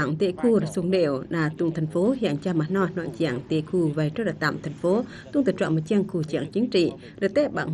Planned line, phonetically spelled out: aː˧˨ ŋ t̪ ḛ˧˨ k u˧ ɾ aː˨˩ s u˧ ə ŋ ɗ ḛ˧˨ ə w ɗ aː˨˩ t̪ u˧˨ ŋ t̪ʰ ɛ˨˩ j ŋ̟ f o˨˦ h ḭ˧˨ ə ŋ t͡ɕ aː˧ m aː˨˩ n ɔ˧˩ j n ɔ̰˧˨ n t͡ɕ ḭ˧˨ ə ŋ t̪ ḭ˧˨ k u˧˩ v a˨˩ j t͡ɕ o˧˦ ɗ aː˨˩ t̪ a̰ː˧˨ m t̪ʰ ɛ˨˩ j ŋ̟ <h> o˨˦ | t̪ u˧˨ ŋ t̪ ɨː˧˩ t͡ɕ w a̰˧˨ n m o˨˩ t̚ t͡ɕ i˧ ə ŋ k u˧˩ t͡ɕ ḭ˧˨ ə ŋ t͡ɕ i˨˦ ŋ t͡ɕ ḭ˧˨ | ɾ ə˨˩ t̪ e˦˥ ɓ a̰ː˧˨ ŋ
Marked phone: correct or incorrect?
incorrect